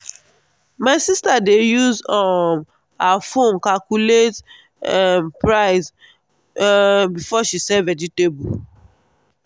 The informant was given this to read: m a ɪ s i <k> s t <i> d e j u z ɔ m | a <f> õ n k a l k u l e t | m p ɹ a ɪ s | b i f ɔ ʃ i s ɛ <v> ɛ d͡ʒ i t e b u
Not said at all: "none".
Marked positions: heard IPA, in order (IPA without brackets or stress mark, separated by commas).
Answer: none, a, f, v